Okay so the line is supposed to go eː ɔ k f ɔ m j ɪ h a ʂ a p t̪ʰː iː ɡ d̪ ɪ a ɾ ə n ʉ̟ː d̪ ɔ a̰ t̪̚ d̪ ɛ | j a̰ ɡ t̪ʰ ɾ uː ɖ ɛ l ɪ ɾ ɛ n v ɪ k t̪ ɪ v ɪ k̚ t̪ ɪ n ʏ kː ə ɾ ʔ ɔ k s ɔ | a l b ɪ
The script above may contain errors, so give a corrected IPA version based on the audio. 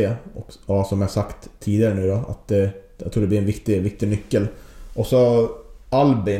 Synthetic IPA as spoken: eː ɔ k s ɔ m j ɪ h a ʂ a k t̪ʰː iː d̪ ɪ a ɾ ə n ʉ̟ː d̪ ɔ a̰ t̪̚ d̪ ɛ | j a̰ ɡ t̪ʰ ɾ uː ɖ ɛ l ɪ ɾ ɛ n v ɪ k t̪ ɪ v ɪ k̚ t̪ ɪ n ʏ kː ə l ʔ ɔ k s ɔ | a l b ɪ